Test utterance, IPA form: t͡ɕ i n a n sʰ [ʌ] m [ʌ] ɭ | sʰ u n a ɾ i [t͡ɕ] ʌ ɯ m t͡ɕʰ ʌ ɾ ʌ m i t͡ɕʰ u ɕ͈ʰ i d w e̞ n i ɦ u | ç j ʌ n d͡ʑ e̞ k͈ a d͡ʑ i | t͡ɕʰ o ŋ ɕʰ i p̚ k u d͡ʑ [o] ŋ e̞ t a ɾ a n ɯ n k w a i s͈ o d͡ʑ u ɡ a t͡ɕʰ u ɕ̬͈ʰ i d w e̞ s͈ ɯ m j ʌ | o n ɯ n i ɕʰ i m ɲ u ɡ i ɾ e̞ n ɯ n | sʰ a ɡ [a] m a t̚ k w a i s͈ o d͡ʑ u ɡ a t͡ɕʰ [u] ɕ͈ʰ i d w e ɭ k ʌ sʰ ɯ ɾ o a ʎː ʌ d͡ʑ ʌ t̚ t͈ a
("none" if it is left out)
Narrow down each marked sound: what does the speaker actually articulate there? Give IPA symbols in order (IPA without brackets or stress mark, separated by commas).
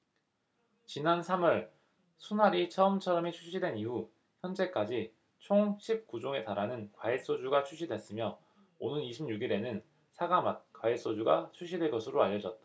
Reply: a, ʌ, t͡ɕʰ, o, a, u